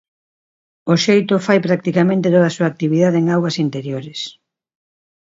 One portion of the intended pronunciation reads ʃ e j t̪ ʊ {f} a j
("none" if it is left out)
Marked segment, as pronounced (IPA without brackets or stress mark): f